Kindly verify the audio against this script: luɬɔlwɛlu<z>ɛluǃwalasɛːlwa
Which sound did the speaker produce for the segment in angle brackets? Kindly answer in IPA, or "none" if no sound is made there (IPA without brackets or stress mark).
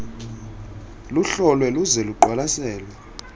z